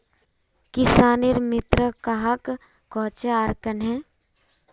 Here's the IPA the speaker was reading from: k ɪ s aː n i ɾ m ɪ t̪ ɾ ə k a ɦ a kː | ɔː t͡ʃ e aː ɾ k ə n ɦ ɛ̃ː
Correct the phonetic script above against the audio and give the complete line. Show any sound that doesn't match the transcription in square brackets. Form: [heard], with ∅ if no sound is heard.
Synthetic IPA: k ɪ s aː n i ɾ m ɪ t̪ ɾ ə k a ɦ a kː | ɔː t͡ʃ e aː ɾ k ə n ɦ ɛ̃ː